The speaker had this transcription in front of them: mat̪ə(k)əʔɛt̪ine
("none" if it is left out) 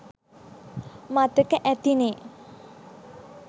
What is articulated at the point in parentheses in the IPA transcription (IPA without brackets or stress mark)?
k